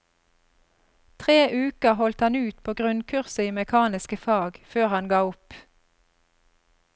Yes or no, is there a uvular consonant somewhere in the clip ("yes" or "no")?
yes